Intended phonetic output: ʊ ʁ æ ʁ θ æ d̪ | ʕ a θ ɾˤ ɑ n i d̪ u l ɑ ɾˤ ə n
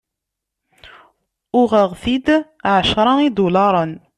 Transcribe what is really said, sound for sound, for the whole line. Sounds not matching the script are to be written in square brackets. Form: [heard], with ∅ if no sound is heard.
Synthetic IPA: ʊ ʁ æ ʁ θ [i] d̪ | ʕ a [ʃ] ɾˤ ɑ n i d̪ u l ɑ ɾˤ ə n